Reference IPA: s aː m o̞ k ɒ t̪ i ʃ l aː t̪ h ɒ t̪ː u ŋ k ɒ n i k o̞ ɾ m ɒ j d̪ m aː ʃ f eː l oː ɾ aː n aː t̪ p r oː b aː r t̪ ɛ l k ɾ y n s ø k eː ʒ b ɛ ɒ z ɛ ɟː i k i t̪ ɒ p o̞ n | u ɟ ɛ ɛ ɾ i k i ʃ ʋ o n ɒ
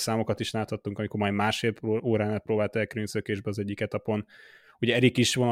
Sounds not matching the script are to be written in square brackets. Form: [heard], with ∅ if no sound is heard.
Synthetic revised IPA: s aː m o̞ k ɒ t̪ i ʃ l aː t̪ h ɒ t̪ː u ŋ k ɒ [m] i k o̞ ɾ m ɒ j d̪ m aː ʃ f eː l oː ɾ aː n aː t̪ p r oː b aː [l] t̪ ɛ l k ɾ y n s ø k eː ʒ b ɛ ɒ z ɛ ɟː i k [ɛ] t̪ ɒ p o̞ n | u ɟ ɛ ɛ ɾ i k i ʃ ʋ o n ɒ